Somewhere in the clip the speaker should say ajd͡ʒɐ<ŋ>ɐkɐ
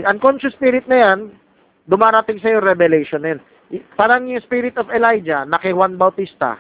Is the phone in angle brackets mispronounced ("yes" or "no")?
yes